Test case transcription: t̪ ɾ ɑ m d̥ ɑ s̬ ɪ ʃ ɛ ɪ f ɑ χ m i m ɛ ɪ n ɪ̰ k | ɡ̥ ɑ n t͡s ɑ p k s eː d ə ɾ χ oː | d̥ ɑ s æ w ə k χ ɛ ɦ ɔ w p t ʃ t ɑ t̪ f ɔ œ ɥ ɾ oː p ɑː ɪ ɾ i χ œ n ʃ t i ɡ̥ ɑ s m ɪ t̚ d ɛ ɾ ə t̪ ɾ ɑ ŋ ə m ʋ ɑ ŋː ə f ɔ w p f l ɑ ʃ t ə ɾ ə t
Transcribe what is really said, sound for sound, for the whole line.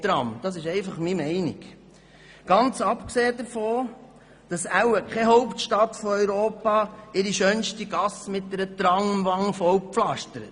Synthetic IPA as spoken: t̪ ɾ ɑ m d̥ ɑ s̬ ɪ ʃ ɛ ɪ f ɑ χ m i m ɛ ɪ n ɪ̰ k | ɡ̥ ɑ n t͡s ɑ p k s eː d ə ɾ f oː | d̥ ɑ s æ w ə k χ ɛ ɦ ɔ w p t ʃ t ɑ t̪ f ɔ œ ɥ ɾ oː p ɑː ɪ ɾ i ʃ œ n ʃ t i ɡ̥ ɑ s m ɪ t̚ d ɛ ɾ ə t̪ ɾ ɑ ŋ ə m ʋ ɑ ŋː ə f ɔ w p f l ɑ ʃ t ə ɾ ə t